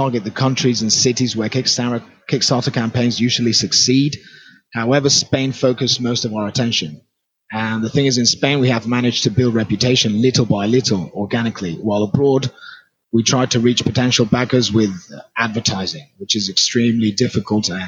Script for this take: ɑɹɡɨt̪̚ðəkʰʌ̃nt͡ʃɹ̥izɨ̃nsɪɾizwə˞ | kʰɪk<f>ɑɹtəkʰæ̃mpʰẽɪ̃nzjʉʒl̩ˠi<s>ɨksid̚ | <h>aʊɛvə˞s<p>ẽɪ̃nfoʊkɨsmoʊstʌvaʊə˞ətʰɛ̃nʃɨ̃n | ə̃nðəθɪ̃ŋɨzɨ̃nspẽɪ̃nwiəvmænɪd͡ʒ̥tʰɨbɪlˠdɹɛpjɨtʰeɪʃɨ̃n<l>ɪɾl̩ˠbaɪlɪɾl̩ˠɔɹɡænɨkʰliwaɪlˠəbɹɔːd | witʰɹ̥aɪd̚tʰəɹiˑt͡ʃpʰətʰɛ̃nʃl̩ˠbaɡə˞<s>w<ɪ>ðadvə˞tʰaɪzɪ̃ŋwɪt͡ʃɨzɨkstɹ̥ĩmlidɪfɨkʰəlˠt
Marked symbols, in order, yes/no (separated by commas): no, yes, yes, yes, yes, no, yes